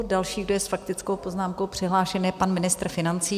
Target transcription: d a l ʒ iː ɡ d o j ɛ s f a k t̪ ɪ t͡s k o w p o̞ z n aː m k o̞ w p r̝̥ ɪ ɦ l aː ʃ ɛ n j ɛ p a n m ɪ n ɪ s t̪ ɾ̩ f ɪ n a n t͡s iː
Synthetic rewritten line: d a l ʃ iː ɡ d o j ɛ s f a k t̪ ɪ t͡s k o w p o̞ z n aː m k o̞ w p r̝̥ ɪ ɦ l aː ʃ ɛ n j ɛ p a n m ɪ n ɪ s t̪ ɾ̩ f ɪ n a n t͡s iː